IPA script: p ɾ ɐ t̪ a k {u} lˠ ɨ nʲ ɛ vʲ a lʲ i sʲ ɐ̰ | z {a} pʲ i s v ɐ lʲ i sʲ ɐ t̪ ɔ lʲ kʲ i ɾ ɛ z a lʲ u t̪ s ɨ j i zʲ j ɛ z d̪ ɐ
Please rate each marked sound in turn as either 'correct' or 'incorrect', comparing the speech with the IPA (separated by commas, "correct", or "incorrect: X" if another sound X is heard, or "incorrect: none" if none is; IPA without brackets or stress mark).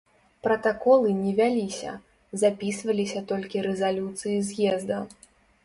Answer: incorrect: ɔ, correct